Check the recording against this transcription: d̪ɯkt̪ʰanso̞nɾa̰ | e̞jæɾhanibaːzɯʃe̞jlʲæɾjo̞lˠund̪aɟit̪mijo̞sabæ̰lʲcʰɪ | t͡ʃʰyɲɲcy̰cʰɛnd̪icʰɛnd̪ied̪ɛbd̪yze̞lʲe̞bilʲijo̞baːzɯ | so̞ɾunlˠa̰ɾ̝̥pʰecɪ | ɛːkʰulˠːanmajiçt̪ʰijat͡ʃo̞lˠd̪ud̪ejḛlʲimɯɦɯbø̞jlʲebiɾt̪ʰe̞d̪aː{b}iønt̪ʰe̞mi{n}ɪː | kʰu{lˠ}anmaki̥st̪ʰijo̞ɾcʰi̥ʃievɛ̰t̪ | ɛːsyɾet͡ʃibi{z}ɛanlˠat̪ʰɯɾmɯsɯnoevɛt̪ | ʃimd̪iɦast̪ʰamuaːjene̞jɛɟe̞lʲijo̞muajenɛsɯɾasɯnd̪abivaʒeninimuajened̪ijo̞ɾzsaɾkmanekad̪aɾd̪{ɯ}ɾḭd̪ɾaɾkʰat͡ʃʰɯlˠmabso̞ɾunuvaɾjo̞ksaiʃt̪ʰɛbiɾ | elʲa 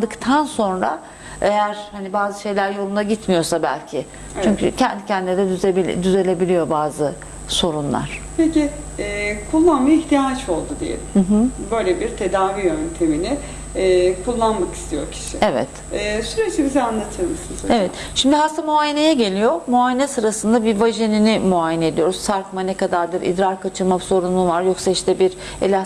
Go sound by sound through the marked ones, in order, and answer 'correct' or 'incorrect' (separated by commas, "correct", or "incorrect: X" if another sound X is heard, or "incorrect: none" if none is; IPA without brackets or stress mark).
incorrect: v, correct, incorrect: lˠː, correct, correct